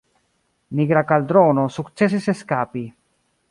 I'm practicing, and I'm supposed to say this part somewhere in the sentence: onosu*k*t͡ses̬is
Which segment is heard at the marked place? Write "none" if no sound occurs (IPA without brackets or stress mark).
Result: k